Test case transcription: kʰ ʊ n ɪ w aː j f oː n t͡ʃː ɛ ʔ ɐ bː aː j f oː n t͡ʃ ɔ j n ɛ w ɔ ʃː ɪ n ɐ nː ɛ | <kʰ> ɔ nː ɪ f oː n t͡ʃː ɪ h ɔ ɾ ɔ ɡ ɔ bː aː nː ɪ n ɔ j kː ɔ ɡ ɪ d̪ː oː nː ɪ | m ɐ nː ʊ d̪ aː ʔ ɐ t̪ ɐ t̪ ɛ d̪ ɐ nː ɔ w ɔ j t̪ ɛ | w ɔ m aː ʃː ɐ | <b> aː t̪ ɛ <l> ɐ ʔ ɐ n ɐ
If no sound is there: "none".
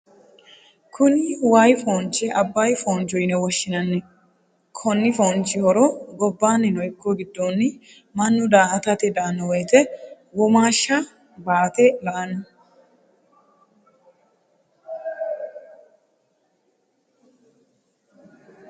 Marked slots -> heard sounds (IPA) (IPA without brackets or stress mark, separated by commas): kʰ, b, l